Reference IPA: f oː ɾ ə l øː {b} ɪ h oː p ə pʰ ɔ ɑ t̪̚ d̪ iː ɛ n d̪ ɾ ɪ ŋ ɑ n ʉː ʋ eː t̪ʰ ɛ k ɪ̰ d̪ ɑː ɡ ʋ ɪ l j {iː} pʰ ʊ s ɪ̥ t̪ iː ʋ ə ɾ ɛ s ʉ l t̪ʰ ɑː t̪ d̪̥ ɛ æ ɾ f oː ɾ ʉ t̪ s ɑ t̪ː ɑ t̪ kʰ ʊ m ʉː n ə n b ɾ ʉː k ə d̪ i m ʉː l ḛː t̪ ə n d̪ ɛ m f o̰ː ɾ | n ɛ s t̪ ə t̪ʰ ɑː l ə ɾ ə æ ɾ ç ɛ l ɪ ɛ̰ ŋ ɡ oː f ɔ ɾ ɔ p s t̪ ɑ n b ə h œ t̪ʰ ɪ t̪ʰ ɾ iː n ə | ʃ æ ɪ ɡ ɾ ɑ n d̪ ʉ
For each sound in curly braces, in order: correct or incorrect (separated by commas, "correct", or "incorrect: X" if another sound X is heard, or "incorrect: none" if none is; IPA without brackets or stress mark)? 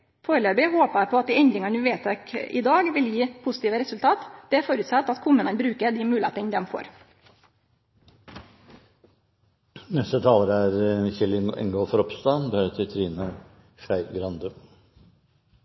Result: correct, correct